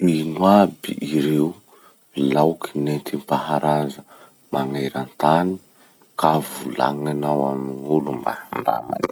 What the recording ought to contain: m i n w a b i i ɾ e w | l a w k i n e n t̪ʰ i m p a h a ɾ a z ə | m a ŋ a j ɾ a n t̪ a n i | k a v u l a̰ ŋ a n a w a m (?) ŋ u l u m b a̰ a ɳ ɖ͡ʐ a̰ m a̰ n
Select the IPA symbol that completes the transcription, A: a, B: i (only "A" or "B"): B